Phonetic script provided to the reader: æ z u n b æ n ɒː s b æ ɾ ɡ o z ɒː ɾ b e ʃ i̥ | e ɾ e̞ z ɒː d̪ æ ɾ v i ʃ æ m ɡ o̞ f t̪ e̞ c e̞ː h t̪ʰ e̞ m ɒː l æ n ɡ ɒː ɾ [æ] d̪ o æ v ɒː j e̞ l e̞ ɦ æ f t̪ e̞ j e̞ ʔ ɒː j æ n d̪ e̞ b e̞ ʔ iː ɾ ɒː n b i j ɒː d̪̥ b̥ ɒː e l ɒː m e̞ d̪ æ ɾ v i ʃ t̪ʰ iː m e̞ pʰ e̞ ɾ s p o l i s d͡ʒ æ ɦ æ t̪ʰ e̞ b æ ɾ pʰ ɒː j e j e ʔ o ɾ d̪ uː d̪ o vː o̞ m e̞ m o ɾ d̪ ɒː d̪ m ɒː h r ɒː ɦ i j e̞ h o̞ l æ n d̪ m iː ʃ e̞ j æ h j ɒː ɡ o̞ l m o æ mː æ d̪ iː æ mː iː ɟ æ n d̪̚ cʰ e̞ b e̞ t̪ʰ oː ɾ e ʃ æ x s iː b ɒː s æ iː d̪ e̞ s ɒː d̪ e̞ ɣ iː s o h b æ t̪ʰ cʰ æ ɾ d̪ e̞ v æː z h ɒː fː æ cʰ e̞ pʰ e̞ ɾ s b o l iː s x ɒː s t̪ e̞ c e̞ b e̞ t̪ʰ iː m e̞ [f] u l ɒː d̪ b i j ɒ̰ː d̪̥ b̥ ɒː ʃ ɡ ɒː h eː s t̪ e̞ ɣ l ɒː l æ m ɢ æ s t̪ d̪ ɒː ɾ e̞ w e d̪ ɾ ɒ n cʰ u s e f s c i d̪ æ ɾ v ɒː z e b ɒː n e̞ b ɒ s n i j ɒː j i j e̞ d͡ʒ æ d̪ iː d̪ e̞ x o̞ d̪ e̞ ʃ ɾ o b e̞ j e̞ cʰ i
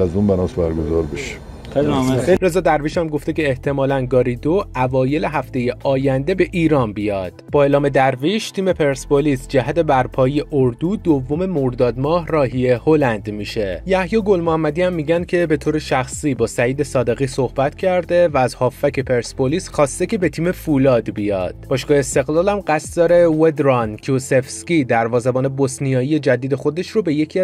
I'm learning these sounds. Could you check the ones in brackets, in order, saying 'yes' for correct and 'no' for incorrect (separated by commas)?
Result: no, yes